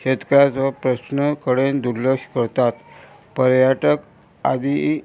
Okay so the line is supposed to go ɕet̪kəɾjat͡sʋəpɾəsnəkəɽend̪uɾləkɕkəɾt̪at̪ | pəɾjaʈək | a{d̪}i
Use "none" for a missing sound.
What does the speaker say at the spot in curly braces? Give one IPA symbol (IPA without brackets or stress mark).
d̪